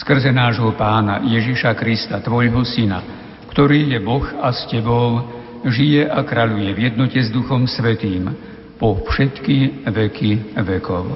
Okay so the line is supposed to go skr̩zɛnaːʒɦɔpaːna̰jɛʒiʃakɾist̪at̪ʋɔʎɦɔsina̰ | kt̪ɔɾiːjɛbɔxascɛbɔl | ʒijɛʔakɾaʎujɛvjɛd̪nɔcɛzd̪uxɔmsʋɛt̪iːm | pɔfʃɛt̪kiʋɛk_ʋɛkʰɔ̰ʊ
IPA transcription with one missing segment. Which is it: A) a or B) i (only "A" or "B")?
B